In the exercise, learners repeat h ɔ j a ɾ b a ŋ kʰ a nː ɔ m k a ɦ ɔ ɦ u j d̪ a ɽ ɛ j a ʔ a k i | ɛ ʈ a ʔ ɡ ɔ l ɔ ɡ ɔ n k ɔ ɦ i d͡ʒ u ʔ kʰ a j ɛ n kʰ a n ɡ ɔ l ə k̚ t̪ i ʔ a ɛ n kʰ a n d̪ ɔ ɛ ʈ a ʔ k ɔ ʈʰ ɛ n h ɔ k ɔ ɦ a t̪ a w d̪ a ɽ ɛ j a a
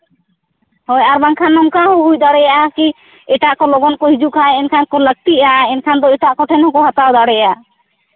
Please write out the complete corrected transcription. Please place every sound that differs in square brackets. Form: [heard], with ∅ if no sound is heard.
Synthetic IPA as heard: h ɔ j a ɾ b a ŋ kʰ a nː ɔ m k a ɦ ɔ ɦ u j d̪ a ɽ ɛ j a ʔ a k i | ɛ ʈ a ʔ [k] ɔ l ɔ ɡ ɔ n k ɔ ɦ i d͡ʒ u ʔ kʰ a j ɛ n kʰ a n [k] ɔ l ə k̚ t̪ i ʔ a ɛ n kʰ a n d̪ ɔ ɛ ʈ a ʔ k ɔ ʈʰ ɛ n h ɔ k ɔ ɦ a t̪ a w d̪ a ɽ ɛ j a a